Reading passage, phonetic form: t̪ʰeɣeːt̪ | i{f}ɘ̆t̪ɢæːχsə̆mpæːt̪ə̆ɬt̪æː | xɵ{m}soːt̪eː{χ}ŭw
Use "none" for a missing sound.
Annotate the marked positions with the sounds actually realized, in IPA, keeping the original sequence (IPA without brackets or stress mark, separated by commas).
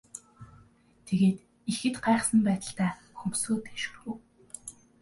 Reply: x, m, ʃ